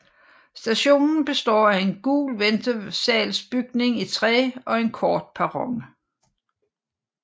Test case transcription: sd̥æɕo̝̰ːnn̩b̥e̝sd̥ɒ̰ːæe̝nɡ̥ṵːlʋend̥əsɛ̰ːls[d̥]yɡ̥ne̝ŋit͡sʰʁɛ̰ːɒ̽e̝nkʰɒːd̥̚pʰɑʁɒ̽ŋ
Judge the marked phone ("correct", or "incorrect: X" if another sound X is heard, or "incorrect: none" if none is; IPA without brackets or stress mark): incorrect: b̥